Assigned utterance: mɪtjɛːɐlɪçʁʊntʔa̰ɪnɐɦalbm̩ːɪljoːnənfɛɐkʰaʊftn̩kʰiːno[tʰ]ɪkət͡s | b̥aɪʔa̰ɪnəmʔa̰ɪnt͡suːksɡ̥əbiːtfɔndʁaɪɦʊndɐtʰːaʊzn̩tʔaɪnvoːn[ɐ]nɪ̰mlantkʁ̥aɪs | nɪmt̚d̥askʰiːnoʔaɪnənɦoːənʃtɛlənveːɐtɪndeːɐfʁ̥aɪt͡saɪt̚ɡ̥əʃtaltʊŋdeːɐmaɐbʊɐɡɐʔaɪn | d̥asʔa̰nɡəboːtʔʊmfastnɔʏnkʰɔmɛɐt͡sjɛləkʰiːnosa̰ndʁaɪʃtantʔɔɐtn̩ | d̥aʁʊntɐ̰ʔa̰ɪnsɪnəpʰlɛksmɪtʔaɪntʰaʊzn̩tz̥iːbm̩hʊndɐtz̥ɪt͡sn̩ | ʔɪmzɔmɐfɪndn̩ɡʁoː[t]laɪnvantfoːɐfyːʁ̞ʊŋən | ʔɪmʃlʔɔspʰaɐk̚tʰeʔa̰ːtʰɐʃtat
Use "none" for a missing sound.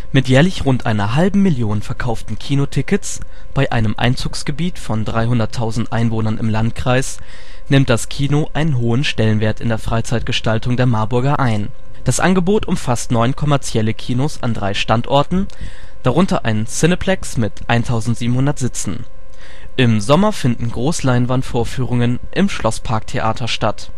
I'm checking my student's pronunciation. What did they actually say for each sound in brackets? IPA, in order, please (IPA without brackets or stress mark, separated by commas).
tʰ, ɐ, s